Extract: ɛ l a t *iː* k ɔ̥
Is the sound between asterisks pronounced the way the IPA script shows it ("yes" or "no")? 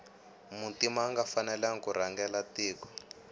yes